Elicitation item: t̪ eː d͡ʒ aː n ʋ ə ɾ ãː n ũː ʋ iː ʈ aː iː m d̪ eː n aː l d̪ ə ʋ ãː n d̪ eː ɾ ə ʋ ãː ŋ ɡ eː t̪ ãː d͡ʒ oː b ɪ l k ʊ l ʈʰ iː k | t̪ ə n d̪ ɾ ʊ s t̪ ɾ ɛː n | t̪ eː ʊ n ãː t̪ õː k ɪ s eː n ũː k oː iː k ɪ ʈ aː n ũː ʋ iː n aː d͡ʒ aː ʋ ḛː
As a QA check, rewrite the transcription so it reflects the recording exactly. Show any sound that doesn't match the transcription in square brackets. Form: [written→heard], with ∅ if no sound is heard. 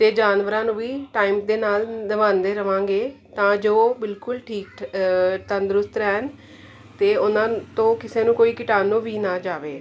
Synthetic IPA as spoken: t̪ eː d͡ʒ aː n ʋ ə ɾ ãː n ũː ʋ iː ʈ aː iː m d̪ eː n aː l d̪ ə ʋ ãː n d̪ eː ɾ ə ʋ ãː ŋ ɡ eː t̪ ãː d͡ʒ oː b ɪ l k ʊ l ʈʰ iː k | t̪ ə n d̪ ɾ ʊ s t̪ ɾ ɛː n | t̪ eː ʊ n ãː t̪ õː k ɪ s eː n ũː k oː iː k ɪ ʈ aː n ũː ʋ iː n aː d͡ʒ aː ʋ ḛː